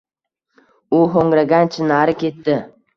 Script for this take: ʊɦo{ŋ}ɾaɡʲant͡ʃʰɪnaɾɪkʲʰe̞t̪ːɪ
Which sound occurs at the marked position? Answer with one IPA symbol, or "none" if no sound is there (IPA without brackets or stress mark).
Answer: ŋ